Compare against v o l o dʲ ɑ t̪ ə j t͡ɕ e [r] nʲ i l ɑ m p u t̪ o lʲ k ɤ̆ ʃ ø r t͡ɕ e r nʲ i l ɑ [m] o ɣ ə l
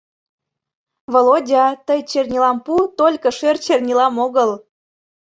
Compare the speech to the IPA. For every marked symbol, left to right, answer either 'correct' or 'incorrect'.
correct, correct

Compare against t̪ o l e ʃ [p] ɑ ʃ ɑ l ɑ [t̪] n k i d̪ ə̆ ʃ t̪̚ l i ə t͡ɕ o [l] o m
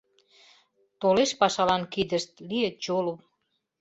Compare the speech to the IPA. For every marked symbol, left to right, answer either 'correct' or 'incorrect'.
correct, incorrect, correct

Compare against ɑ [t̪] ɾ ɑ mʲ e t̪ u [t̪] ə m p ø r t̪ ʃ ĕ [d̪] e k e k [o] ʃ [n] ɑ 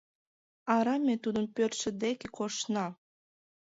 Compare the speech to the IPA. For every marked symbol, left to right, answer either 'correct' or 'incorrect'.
incorrect, incorrect, correct, correct, correct

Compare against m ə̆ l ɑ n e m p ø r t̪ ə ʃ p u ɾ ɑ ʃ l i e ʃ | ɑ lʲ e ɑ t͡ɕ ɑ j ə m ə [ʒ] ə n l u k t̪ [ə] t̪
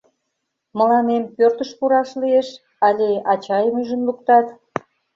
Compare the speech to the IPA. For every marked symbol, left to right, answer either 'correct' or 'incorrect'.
correct, incorrect

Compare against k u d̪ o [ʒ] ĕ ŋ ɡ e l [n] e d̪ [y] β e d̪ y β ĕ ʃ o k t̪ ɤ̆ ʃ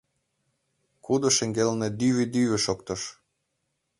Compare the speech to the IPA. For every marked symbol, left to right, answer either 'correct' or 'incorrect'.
incorrect, correct, correct

